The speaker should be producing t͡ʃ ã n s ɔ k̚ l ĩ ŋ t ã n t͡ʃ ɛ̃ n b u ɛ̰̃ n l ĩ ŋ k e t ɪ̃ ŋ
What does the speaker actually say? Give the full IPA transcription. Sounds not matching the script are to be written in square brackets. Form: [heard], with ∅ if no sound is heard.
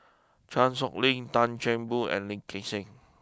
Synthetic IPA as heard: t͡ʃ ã n s ɔ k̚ l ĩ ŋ t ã n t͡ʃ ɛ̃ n b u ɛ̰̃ n l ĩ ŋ k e [s] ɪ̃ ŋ

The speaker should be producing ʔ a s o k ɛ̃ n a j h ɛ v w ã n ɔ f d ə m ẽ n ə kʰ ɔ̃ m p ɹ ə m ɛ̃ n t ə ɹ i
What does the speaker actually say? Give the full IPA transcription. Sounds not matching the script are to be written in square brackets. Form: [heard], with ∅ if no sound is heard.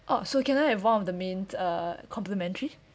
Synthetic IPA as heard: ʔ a s o k ɛ̃ n a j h ɛ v w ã n ɔ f d ə m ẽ n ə kʰ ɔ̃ m p [l] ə m ɛ̃ n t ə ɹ i

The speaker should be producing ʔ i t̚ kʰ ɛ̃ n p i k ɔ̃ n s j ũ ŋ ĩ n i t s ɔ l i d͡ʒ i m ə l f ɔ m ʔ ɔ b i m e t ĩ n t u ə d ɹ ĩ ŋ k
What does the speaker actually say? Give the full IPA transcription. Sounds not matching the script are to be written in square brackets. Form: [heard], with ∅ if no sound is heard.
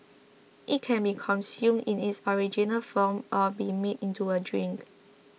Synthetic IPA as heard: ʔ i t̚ kʰ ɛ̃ n [b] i [kʰ] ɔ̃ n s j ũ [m] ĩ n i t s ɔ [ɹ] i d͡ʒ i [n] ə l f ɔ m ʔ ɔ b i m e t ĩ n t u ə d ɹ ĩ ŋ k

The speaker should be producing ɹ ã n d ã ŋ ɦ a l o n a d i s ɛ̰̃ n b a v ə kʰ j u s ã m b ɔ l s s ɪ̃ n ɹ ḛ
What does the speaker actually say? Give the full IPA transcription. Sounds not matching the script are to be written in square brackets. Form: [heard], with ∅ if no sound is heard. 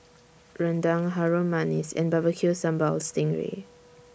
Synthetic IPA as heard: ɹ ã n d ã ŋ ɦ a [ɹ] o [m] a [n] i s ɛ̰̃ n b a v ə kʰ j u s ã m b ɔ l s [t] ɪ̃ [ŋ] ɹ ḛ

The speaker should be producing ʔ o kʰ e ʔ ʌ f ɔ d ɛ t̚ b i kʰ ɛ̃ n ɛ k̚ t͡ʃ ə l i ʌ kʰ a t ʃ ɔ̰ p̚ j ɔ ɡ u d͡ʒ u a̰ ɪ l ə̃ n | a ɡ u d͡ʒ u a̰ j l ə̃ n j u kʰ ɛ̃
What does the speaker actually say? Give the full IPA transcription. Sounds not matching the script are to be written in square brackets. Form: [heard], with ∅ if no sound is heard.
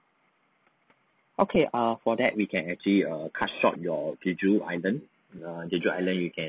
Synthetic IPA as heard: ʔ o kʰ e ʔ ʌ f ɔ d ɛ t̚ [w] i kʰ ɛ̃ n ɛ k̚ t͡ʃ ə l i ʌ kʰ a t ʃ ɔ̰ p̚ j ɔ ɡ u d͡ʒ u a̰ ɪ l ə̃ n | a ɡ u d͡ʒ u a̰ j l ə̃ n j u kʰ ɛ̃

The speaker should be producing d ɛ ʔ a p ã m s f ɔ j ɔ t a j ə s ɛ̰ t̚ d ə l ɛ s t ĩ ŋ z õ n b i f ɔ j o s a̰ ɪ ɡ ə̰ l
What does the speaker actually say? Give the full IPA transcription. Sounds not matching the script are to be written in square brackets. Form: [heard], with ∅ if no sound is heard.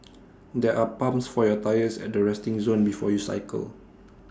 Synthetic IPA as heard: d ɛ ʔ a p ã m s f ɔ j ɔ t a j ə s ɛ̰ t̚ d ə [ɹ] ɛ s t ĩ ŋ z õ n b i f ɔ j [u] s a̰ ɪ [k] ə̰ l

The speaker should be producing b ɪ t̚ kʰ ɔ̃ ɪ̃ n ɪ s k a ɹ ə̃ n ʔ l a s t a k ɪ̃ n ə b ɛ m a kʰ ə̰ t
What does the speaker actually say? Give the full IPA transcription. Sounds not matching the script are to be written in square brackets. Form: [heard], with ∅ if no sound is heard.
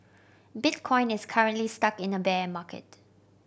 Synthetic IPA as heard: b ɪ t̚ kʰ ɔ̃ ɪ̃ n ɪ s [kʰ] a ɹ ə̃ n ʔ l [i] s t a k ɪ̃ n ə b ɛ m a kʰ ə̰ t

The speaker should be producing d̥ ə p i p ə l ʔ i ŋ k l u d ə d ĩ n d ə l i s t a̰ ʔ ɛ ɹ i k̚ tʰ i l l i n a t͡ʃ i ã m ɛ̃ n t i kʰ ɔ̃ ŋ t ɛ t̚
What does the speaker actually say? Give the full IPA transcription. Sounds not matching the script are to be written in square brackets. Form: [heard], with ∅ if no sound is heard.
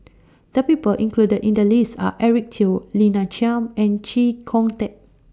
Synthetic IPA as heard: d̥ ə p i p ə l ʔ [ĩ] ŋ k l u d ə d ĩ n d ə l i s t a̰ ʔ ɛ ɹ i k̚ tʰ i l l i n a t͡ʃ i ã m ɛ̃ n [t͡ʃ] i kʰ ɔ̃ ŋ t ɛ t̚

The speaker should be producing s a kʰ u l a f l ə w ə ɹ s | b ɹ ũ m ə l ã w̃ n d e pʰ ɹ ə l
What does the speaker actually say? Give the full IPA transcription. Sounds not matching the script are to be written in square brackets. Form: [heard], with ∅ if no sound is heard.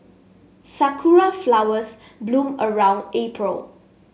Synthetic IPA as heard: s a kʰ u [ɹ] a f l [a] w ə [∅] s | b [l] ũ m ə [ɹ] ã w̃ n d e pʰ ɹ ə l

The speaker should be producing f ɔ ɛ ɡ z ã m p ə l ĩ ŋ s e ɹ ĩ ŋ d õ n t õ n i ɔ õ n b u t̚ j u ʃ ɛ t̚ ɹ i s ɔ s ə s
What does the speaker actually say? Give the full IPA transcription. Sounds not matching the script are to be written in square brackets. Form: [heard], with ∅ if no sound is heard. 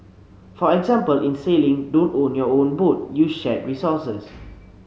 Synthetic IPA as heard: f ɔ ɛ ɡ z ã m p ə l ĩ [n] s e [l] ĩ ŋ d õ n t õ n [j] ɔ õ n b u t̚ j u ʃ ɛ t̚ ɹ i s ɔ s ə s

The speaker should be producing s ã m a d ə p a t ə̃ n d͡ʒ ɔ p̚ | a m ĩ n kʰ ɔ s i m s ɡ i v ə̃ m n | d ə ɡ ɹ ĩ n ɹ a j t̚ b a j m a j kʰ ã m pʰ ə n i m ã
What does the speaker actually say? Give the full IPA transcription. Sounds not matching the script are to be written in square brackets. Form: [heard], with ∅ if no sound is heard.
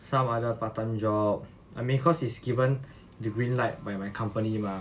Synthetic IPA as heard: s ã m a d ə p a t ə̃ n d͡ʒ ɔ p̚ | a m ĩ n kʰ ɔ s i [∅] s ɡ i v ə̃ [∅] n | d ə ɡ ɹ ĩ n [l] a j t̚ b a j m a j kʰ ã m [p] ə n i m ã

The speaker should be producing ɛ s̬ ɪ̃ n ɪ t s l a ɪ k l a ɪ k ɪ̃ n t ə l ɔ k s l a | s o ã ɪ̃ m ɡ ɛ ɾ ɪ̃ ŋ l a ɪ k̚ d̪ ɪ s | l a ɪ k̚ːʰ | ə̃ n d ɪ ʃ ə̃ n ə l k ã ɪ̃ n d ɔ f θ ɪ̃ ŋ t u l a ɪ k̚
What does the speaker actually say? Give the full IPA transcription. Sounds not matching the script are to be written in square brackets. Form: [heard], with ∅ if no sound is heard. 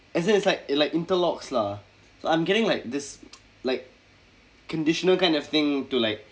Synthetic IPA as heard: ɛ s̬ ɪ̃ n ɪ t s l a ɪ k l a ɪ k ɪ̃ n t ə l ɔ k s l a | s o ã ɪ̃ m ɡ ɛ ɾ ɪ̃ ŋ l a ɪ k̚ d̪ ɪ s | l a ɪ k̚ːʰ | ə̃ n d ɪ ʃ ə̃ n ə l k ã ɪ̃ n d ɔ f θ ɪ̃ ŋ t u l a ɪ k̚

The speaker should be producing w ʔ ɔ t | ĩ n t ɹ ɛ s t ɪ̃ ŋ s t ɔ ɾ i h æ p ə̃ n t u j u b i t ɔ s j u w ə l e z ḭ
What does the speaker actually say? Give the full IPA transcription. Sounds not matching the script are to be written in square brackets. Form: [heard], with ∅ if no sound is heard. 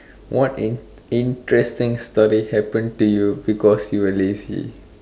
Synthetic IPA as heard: w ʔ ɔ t | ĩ n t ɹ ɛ s t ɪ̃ ŋ s t ɔ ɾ i h [ɛ] p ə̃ n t u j u b i [k] ɔ s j u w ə l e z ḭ

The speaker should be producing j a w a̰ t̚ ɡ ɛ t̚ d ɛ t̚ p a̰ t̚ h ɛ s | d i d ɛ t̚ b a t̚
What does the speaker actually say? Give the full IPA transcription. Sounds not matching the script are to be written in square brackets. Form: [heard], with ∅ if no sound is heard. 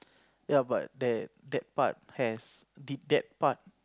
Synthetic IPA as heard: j a [b] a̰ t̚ [d] ɛ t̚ d ɛ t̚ p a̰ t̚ h ɛ s | d i d ɛ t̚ [p] a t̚

